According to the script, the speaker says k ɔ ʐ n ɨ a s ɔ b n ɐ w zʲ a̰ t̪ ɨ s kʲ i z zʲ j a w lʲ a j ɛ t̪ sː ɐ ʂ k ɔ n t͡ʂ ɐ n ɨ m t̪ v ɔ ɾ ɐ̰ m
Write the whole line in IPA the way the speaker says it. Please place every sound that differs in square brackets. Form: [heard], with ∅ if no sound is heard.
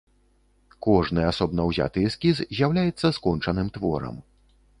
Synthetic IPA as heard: k ɔ ʐ n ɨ a s ɔ b n ɐ w zʲ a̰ t̪ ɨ s kʲ i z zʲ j a w lʲ a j ɛ t̪ sː ɐ [s] k ɔ n t͡ʂ ɐ n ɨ m t̪ v ɔ ɾ ɐ̰ m